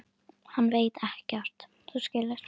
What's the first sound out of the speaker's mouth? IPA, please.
h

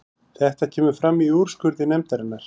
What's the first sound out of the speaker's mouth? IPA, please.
θ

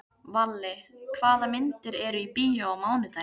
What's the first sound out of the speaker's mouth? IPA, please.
v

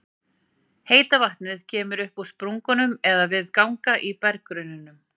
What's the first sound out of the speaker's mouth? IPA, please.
h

